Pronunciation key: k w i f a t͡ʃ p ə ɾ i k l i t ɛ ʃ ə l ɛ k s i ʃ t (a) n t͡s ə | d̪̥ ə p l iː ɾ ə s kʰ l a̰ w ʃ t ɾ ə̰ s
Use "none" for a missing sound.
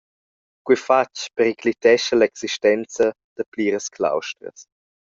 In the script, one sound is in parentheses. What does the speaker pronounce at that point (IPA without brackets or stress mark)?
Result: ɛ